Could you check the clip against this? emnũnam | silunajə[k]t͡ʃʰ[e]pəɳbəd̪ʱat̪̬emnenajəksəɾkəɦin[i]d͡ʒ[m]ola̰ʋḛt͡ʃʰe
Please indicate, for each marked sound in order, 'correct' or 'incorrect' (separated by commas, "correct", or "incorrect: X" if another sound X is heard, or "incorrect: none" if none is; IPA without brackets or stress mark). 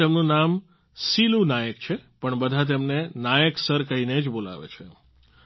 correct, correct, incorrect: e, incorrect: b